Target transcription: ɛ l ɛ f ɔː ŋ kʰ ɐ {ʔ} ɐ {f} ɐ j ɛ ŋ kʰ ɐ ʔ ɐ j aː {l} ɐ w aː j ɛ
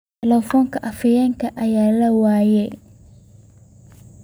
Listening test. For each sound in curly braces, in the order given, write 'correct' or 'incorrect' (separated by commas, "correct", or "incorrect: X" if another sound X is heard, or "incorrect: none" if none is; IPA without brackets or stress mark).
correct, correct, correct